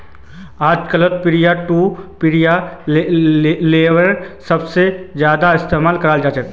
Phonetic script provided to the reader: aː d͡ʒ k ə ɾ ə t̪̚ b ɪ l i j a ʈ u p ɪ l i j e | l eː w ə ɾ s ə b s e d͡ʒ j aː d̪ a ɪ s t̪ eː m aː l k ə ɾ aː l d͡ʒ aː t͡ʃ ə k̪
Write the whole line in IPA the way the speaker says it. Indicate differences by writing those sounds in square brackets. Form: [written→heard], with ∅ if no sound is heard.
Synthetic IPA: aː d͡ʒ k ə [ɾ→l] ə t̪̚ [b→p] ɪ [l→ɾ] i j a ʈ u p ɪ [l→ɾ] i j [e→a] | l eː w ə ɾ s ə b s e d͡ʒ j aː d̪ a ɪ s t̪ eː m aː l k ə ɾ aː l d͡ʒ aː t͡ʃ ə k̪

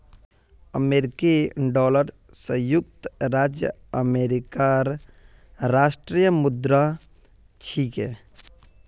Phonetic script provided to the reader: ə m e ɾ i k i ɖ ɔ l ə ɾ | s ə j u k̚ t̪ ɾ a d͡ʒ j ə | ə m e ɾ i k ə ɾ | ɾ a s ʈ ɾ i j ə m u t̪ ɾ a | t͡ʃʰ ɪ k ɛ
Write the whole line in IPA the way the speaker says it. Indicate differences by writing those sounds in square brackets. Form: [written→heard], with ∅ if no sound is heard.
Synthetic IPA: ə m e ɾ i k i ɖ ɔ l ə ɾ | s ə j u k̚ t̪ ɾ a d͡ʒ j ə | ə m e ɾ i k [ə→a] ɾ | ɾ a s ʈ ɾ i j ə m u [t̪→d̪] ɾ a | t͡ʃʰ [ɪ→i] k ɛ

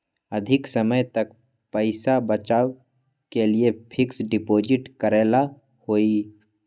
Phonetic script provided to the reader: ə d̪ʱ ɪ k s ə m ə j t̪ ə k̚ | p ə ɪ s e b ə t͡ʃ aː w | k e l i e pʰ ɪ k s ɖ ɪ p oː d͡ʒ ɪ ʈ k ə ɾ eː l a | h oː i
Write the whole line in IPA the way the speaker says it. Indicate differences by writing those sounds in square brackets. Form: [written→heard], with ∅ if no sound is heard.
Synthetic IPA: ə d̪ʱ ɪ k s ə m ə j t̪ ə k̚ | p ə ɪ s [e→a] b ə t͡ʃ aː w | k e l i e pʰ ɪ k s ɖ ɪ p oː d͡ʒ ɪ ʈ k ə ɾ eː l a | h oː i

